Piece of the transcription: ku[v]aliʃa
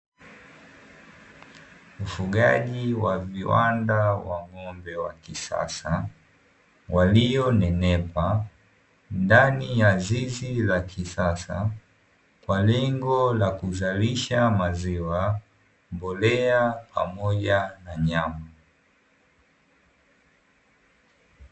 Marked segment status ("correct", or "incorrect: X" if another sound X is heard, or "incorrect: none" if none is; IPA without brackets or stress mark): incorrect: z